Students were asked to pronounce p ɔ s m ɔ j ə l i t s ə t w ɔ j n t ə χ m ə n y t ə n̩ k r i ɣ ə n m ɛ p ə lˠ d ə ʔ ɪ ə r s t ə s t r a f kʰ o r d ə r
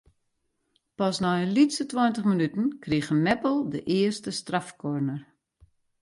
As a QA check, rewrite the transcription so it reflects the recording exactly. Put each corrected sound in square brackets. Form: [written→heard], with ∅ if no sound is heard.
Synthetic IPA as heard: p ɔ s [m→n] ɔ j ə l i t s ə t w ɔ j n t ə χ m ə n y t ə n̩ k r i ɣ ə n m ɛ p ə lˠ d ə ʔ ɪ ə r s t ə s t r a f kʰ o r [d→n] ə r

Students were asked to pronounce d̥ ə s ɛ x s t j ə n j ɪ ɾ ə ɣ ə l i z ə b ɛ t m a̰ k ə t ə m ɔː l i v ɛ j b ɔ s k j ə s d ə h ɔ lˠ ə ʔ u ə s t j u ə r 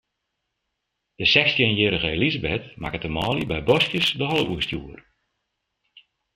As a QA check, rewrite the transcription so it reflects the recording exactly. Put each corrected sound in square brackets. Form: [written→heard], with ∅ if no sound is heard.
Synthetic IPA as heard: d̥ ə s ɛ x s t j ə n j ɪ ɾ ə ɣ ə l i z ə b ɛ t m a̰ k ə t ə m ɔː l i [v→b] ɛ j b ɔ s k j ə s d ə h ɔ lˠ ə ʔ u ə s t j u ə r

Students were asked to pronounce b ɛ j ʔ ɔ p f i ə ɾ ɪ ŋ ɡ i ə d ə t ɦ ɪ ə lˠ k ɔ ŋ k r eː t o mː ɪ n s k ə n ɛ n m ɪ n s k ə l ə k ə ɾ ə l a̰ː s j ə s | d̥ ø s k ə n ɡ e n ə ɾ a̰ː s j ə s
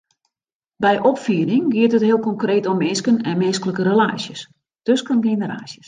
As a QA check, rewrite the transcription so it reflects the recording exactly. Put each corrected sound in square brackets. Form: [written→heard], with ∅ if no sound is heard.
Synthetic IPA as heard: b ɛ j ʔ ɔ p f i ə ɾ ɪ ŋ ɡ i ə [d→t] ə t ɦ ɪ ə lˠ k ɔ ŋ k r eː t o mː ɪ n s k ə n ɛ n m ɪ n s k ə l ə k ə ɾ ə l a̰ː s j ə s | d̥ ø s k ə n ɡ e n ə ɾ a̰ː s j ə s

